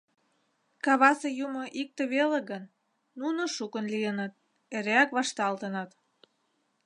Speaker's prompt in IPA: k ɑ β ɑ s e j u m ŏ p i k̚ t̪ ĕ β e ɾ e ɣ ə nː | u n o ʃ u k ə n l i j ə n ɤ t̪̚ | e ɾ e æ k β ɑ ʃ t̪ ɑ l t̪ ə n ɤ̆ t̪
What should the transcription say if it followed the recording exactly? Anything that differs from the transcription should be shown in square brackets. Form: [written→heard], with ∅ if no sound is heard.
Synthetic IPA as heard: k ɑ β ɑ s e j u m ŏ [p→ʔ] i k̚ t̪ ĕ β e [ɾ→l] e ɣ ə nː | u n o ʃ u k ə n l i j ə n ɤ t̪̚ | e ɾ e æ k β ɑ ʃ t̪ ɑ l t̪ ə n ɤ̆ t̪

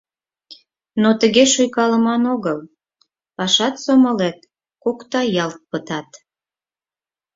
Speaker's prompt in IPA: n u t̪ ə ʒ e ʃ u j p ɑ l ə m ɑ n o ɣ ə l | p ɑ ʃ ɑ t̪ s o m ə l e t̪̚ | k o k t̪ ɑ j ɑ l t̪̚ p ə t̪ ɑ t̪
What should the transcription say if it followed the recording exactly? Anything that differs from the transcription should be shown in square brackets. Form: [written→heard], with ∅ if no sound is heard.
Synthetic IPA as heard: n [u→o] t̪ ə [ʒ→ɣ] e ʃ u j [p→k] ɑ l ə m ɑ n o ɣ ə l | p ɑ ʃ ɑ t̪ s o m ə l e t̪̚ | k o k t̪ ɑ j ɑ l t̪̚ p ə t̪ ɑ t̪

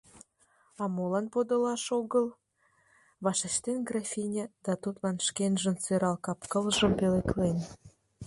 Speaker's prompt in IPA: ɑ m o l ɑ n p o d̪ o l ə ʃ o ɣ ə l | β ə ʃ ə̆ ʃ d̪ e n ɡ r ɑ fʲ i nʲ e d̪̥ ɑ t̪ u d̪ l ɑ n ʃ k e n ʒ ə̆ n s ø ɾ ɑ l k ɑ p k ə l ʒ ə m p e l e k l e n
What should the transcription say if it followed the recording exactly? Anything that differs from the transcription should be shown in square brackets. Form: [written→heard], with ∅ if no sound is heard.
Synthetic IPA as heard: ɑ m o l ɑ n p o d̪ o l [ə→ɑ] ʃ o ɣ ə l | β [ə→ɑ] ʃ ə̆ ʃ [d̪→t̪] e n ɡ r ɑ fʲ i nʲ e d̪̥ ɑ t̪ u [d̪→t̪] l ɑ n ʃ k e n ʒ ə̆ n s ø ɾ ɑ l k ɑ p k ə l ʒ ə m p e l e k l e n

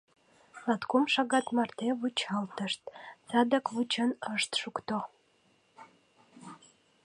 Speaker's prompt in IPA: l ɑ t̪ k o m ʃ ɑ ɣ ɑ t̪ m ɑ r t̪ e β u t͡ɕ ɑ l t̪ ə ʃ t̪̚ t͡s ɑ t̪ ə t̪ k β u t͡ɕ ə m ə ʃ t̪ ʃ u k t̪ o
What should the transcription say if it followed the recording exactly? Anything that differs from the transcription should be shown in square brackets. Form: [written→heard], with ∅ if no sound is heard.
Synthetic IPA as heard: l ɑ t̪ k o m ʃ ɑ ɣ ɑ t̪ m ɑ r t̪ e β u t͡ɕ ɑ l t̪ ə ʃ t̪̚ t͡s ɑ [t̪→d̪] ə [t̪→∅] k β u t͡ɕ ə [m→n] ə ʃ t̪ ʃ u k t̪ o

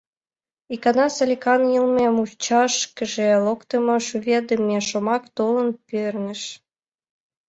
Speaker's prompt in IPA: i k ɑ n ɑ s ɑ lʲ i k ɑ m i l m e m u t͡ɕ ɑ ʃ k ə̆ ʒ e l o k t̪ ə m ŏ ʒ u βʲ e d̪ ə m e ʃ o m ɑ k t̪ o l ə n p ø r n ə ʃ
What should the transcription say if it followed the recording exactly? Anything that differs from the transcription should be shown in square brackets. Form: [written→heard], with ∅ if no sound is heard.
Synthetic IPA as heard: i k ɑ n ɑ s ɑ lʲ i k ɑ [m→n] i l m e m u t͡ɕ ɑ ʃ k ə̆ ʒ e l o k t̪ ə m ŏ [ʒ→ʃ] u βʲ e d̪ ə m e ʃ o m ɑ k t̪ o l ə n p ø r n ə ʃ

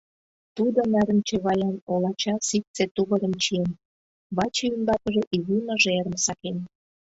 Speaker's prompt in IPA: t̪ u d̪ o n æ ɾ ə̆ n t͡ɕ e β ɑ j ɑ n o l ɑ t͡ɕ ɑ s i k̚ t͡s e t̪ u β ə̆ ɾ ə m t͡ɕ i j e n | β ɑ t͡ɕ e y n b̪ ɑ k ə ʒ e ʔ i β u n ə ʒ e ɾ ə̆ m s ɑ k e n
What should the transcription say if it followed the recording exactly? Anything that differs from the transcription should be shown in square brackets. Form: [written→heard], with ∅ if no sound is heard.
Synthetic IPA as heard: t̪ u d̪ o n æ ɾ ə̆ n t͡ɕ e β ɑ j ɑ n o l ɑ t͡ɕ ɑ s i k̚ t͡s e t̪ u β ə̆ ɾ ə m t͡ɕ i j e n | β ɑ t͡ɕ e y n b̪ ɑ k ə ʒ e ʔ i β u n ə ʒ e ɾ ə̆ m s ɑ k e n

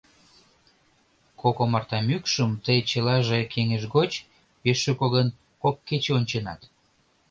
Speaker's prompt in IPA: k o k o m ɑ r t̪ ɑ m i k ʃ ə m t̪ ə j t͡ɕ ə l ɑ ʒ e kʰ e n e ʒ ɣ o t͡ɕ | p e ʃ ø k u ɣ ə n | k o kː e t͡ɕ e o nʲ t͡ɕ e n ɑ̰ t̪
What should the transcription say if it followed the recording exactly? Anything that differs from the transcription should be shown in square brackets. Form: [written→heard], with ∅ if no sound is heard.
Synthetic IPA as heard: k o k o m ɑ r t̪ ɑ m [i→y] k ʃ ə m t̪ ə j t͡ɕ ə l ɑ ʒ e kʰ e [n→ŋ] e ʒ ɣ o t͡ɕ | p e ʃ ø k [u→o] ɣ ə n | k o kː e t͡ɕ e o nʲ t͡ɕ e n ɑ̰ t̪

